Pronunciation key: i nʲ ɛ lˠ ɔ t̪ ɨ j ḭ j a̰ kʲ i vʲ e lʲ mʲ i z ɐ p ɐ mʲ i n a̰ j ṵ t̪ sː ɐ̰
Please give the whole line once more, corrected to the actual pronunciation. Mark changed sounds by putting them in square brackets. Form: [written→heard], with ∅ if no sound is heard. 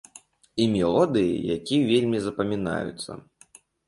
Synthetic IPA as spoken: i [nʲ→mʲ] ɛ lˠ ɔ [t̪→d̪] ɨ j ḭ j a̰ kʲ i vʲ e lʲ mʲ i z ɐ p ɐ mʲ i n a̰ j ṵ t̪ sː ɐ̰